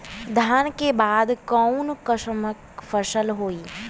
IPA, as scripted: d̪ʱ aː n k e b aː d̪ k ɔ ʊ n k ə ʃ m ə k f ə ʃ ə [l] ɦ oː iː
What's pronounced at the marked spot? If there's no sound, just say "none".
l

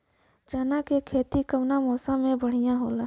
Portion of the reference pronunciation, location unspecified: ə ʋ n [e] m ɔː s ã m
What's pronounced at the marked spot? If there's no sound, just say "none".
a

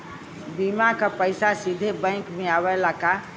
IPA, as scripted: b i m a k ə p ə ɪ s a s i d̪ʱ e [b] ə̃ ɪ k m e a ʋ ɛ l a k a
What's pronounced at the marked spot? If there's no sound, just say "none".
b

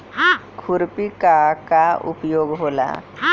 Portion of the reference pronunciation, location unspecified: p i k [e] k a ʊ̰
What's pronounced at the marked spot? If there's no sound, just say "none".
a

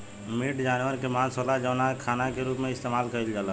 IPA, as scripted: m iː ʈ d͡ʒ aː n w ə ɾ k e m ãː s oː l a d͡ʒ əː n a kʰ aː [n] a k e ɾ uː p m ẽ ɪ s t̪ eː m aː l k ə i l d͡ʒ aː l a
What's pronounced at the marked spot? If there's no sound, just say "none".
n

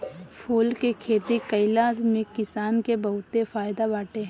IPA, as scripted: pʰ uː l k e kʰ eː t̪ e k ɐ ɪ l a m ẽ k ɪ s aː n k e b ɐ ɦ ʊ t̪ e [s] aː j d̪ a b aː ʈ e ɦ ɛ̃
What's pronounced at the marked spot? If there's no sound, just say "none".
f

